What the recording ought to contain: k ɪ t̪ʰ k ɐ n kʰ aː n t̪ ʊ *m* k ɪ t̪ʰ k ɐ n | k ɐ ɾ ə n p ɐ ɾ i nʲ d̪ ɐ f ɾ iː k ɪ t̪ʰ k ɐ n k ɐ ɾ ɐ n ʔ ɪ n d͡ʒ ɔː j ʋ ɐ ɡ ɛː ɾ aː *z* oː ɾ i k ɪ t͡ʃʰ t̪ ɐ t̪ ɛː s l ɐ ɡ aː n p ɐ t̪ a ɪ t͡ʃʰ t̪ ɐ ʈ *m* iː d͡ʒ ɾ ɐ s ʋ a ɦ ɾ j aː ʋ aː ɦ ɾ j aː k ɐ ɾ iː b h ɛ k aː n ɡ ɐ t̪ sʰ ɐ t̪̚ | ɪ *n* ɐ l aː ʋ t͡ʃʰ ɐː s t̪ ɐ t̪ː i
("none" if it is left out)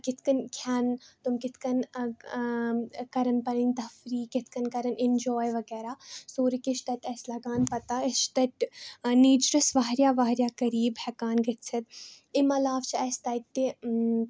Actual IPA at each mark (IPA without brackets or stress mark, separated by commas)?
m, s, n, m